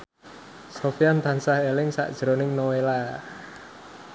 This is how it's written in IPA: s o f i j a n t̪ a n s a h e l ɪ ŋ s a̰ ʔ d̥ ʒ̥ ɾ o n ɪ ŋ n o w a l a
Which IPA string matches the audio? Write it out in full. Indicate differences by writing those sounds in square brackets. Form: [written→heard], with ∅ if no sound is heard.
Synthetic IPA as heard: s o f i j a n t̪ a n s a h e l ɪ ŋ s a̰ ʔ d̥ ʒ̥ ɾ o n ɪ ŋ n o w [a→e] l a